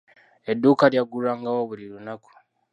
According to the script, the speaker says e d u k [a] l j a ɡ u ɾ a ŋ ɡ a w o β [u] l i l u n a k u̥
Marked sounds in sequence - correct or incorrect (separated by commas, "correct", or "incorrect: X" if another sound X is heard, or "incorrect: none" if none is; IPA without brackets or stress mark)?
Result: correct, correct